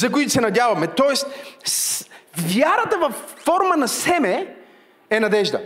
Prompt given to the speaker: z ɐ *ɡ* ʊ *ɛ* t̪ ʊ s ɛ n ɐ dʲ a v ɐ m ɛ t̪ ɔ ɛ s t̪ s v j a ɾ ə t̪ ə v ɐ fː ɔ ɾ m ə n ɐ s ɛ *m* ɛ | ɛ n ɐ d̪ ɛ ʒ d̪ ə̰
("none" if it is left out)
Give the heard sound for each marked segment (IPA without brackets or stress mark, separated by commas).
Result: k, i, m